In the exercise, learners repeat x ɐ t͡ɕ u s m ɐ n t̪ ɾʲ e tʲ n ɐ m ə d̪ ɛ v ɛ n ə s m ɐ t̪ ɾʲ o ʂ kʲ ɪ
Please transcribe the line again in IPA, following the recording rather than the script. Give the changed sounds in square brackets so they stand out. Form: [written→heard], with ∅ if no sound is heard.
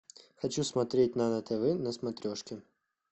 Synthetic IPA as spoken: x ɐ t͡ɕ u s m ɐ [n→∅] t̪ ɾʲ e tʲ n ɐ [m→n] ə [d̪→t̪] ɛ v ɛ n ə s m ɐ t̪ ɾʲ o ʂ kʲ ɪ

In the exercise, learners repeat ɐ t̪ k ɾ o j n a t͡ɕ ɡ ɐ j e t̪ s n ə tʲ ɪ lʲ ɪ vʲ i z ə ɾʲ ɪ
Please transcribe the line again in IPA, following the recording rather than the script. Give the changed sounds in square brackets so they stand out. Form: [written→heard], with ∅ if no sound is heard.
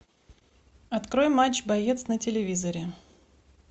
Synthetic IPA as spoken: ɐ t̪ k ɾ o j [n→m] a t͡ɕ [ɡ→b] ɐ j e t̪ s n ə tʲ ɪ lʲ ɪ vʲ i z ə ɾʲ ɪ

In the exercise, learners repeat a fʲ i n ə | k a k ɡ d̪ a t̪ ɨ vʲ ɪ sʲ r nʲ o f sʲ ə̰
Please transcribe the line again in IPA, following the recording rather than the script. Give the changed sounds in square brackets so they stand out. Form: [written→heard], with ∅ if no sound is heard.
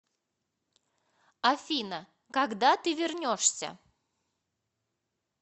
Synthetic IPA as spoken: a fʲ i n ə | k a [k→∅] ɡ d̪ a t̪ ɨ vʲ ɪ [sʲ→∅] r nʲ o [f→ʂ] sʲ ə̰

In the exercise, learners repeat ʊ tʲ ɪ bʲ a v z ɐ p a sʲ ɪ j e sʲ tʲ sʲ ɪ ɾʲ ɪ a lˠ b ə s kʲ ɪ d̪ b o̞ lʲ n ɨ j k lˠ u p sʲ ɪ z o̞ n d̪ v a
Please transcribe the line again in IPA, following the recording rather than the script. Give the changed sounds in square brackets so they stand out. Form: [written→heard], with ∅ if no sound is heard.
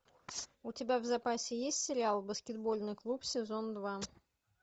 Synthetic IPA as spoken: ʊ tʲ ɪ bʲ a v z ɐ p a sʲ ɪ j e sʲ tʲ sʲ ɪ ɾʲ ɪ a lˠ b ə s kʲ ɪ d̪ b o̞ lʲ n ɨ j k lˠ u p sʲ ɪ z o̞ n d̪ v a

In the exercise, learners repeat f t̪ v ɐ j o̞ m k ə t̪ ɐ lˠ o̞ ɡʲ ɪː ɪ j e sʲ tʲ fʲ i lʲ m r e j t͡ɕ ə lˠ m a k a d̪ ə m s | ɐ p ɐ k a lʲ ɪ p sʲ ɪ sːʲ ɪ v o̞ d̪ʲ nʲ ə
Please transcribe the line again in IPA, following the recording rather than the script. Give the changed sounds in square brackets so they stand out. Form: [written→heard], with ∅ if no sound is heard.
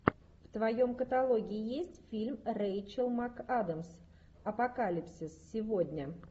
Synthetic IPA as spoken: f t̪ v ɐ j o̞ m k ə t̪ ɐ lˠ o̞ ɡʲ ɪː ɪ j e sʲ tʲ fʲ i lʲ m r e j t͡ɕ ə lˠ m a k a d̪ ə m s | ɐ p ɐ k a lʲ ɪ p sʲ ɪ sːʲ ɪ v o̞ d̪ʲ nʲ ə

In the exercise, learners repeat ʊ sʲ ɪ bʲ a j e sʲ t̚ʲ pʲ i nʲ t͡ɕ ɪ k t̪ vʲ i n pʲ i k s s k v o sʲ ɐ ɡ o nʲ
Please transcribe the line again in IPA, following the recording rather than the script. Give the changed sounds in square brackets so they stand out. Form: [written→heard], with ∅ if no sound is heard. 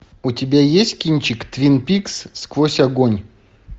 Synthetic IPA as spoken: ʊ [sʲ→tʲ] ɪ bʲ a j e sʲ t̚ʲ [pʲ→kʲ] i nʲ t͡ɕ ɪ k t̪ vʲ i n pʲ i k s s k v o sʲ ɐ ɡ o nʲ

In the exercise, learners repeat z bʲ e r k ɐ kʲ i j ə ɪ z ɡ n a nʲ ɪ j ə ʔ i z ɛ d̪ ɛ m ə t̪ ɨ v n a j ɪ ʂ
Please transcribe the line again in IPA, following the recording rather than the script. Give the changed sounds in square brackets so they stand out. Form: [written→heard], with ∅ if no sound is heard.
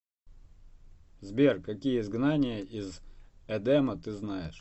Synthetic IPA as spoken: z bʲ e r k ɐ kʲ i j ə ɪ z ɡ n a nʲ ɪ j ə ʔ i z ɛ d̪ ɛ m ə t̪ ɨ [v→z] n a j ɪ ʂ

